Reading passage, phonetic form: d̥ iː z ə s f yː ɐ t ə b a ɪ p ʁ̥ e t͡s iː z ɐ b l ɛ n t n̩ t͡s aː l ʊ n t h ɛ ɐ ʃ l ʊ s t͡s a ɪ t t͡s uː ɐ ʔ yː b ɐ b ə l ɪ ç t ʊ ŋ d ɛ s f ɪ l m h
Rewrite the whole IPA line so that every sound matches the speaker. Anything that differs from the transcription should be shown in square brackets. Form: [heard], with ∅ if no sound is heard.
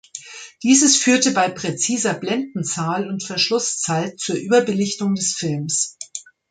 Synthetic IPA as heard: d̥ iː z ə s f yː ɐ t ə b a ɪ p ʁ̥ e t͡s iː z ɐ b l ɛ n [d] n̩ t͡s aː l ʊ n t [f] ɛ ɐ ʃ l ʊ s t͡s a ɪ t t͡s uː ɐ ʔ yː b ɐ b ə l ɪ ç t ʊ ŋ d ɛ s f ɪ l m [s]